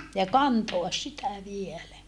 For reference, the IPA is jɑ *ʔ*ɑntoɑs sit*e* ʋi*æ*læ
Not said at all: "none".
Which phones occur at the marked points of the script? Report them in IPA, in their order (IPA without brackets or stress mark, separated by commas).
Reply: k, æ, e